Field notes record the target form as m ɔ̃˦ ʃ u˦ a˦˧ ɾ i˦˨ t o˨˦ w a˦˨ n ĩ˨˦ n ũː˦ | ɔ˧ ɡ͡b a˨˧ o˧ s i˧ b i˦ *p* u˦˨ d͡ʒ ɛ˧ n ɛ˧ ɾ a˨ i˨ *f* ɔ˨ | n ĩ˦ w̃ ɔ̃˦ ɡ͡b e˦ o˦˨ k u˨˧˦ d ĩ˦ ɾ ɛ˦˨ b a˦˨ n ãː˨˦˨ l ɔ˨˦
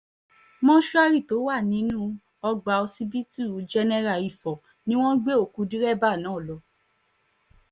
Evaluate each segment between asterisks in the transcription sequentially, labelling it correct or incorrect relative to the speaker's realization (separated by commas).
incorrect, correct